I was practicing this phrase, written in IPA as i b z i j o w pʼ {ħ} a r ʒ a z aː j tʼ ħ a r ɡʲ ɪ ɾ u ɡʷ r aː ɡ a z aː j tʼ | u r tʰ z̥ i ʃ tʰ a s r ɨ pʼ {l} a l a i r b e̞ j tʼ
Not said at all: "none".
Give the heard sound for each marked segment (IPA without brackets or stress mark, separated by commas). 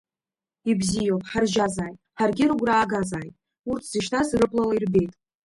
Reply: ħ, l